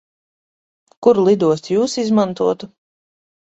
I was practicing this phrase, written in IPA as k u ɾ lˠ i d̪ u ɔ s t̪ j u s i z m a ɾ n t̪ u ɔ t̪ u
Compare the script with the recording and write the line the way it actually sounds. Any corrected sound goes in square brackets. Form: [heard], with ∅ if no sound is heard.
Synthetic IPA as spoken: k u ɾ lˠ i d̪ u ɔ s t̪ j [uː] s i z m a [∅] n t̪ u ɔ t̪ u

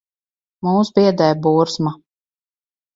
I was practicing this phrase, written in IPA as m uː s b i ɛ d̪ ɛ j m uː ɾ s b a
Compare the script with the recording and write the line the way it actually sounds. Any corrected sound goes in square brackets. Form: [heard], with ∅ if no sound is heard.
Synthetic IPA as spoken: m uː s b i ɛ d̪ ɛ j [b] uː ɾ s [m] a

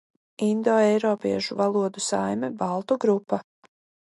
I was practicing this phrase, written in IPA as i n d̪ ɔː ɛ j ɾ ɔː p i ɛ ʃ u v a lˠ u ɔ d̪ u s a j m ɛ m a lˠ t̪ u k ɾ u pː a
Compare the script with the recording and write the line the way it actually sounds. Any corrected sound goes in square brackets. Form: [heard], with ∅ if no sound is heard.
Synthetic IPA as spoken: i n d̪ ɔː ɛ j ɾ ɔː p i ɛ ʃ u v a lˠ u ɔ d̪ u s a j m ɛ [b] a lˠ t̪ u [ɡ] ɾ u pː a

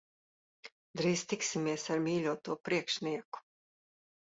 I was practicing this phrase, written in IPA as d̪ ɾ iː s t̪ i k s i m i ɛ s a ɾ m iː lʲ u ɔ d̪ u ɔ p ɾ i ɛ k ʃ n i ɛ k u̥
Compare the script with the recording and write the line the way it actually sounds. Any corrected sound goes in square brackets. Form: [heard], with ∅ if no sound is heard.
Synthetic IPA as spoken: d̪ ɾ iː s t̪ i k s i m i ɛ s a ɾ m iː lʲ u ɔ [t̪] u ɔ p ɾ i ɛ k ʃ n i ɛ k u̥

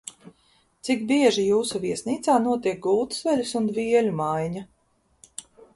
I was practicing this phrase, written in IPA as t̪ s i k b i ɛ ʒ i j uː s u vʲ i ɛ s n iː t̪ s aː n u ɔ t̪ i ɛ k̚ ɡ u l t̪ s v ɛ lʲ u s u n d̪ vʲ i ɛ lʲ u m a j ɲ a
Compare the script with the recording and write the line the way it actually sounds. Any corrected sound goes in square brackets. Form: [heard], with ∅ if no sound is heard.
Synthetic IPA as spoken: t̪ s i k b i ɛ ʒ i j uː s u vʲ i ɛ s n iː t̪ s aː n u ɔ t̪ i ɛ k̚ ɡ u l t̪ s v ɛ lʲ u s u n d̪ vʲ i ɛ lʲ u m a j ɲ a

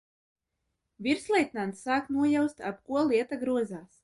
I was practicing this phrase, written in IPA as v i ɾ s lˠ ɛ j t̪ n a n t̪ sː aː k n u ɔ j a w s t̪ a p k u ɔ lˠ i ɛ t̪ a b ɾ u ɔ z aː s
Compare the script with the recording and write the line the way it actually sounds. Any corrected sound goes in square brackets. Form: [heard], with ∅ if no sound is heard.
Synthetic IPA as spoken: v i ɾ s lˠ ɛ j t̪ n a n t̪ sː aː k n u ɔ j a w s t̪ a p k u ɔ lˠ i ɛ t̪ a [ɡ] ɾ u ɔ z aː s

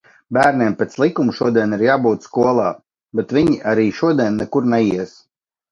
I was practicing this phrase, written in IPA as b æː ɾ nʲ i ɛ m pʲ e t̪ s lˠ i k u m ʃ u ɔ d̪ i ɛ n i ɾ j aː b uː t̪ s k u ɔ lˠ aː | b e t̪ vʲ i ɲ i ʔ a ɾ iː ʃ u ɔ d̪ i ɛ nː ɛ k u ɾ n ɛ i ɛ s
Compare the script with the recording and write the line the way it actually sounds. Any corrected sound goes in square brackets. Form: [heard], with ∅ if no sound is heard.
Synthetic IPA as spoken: b æː ɾ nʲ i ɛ m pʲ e t̪ s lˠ i k u m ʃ u ɔ d̪ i ɛ n i ɾ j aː b uː t̪ s k u ɔ lˠ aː | b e t̪ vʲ i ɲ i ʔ a ɾ iː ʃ u ɔ d̪ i ɛ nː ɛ k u ɾ n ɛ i ɛ s

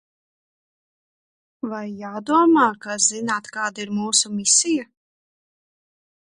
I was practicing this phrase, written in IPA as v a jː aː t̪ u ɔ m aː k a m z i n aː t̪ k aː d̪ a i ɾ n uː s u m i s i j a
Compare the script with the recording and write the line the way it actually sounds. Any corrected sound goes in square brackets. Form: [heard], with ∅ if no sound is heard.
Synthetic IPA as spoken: v a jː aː [d̪] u ɔ m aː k a [∅] z i n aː t̪ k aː d̪ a i ɾ [m] uː s u m i s i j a

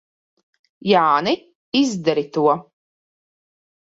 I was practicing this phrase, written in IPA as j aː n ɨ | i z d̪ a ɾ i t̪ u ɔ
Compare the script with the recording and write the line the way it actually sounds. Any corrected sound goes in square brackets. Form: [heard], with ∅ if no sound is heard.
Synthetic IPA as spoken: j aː n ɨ | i z d̪ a ɾ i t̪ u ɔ

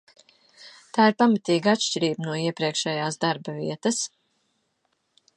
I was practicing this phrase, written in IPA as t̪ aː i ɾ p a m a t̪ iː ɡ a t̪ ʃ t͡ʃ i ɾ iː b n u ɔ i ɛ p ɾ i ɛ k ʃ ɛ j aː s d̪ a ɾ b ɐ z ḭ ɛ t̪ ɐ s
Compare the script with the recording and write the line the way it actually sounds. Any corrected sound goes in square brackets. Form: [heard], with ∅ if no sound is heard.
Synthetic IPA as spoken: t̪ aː i ɾ p a m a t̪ iː ɡ a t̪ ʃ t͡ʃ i ɾ iː b n u ɔ i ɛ p ɾ i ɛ k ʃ ɛ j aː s d̪ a ɾ b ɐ [v] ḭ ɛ t̪ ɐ s

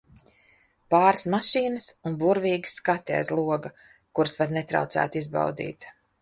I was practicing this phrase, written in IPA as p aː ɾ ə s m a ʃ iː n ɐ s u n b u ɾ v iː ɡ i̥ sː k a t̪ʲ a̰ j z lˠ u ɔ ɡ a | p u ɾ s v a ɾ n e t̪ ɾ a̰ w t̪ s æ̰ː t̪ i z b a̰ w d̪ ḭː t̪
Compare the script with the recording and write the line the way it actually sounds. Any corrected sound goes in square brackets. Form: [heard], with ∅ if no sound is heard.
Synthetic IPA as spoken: p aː ɾ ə s m a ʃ iː n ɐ s u n b u ɾ v iː ɡ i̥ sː k a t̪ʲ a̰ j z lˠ u ɔ ɡ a | [k] u ɾ s v a ɾ n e t̪ ɾ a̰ w t̪ s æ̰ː t̪ i z b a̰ w d̪ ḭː t̪

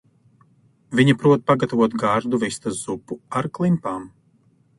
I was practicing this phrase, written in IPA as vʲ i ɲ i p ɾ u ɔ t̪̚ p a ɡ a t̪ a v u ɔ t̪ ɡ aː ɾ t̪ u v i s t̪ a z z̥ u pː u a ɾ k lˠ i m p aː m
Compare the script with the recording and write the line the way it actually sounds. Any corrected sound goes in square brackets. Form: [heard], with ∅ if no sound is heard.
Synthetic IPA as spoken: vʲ i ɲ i p ɾ u ɔ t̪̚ p a ɡ a t̪ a v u ɔ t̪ ɡ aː ɾ [d̪] u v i s t̪ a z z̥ u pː u a ɾ k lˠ i m p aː m

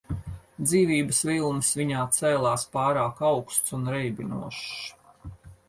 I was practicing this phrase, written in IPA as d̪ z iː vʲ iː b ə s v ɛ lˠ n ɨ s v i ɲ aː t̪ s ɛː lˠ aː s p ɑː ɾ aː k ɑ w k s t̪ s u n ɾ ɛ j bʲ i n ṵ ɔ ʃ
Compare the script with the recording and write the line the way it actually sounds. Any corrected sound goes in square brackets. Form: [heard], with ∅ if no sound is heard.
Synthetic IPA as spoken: d̪ z iː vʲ iː b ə s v [i] lˠ n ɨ s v i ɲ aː t̪ s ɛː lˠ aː s p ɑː ɾ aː k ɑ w k s t̪ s u n ɾ ɛ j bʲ i n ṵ ɔ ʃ

